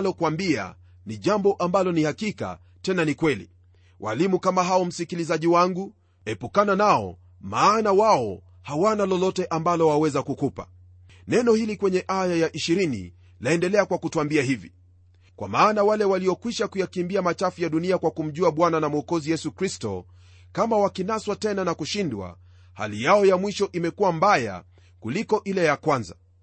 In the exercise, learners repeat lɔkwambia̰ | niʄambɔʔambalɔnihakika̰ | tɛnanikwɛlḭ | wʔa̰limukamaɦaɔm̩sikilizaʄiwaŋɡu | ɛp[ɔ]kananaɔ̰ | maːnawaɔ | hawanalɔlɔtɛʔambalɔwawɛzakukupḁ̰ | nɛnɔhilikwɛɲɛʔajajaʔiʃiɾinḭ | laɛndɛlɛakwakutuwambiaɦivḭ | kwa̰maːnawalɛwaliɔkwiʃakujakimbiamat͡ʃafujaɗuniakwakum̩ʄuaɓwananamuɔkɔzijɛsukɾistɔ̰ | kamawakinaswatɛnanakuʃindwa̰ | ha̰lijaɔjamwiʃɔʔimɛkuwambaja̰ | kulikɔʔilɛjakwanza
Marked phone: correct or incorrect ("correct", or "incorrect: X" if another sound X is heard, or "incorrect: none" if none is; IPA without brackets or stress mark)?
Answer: incorrect: u